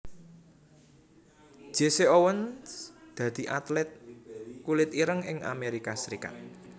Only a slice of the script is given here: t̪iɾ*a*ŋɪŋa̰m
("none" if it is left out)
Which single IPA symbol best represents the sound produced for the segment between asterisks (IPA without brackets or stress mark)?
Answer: ə